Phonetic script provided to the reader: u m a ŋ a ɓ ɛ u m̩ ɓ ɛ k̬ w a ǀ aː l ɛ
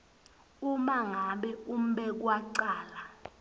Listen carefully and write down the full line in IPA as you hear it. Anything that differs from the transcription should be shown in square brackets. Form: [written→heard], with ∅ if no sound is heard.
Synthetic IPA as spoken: u m a ŋ a ɓ ɛ u m̩ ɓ ɛ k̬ w a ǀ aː l [ɛ→a]